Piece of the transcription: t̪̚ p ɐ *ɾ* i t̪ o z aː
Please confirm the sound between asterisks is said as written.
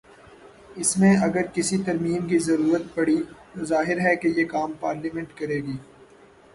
no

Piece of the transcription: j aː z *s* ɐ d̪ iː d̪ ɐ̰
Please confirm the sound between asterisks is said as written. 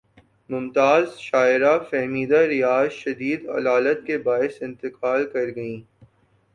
no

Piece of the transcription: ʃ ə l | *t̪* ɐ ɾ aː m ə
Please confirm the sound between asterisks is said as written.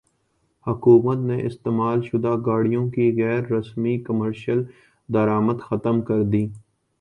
no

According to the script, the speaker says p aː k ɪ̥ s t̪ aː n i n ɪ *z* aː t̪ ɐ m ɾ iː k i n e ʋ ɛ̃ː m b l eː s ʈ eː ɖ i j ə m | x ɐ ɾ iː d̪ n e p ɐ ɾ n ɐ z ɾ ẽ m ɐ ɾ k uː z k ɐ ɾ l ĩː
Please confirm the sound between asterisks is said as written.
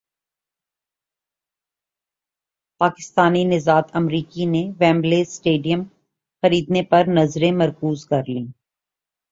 yes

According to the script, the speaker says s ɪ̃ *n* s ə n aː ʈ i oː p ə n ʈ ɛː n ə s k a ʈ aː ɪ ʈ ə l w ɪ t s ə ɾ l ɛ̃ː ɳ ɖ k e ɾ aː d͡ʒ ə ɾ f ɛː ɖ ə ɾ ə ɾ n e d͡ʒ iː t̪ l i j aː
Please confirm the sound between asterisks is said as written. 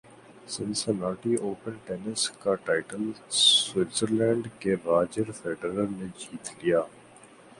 yes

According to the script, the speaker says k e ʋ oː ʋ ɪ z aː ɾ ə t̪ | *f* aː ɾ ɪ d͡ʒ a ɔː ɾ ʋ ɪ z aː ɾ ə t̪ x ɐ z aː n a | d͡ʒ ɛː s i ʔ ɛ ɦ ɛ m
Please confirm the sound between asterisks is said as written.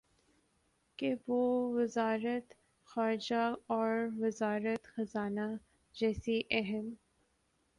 no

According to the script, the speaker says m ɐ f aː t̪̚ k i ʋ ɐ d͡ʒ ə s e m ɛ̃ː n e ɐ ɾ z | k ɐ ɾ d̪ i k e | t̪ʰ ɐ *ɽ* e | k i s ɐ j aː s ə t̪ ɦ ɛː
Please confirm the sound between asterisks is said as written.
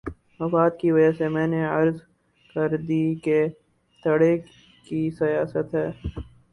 yes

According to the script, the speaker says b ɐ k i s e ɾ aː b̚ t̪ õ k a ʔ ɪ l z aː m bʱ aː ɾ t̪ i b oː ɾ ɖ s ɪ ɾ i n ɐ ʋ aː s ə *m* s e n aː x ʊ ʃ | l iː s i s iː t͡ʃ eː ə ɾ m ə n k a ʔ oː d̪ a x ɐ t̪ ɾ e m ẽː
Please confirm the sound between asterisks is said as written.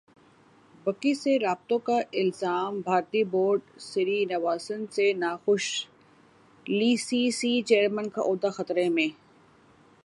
no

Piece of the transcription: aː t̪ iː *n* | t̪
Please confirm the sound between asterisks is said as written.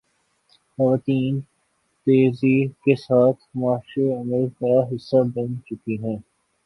yes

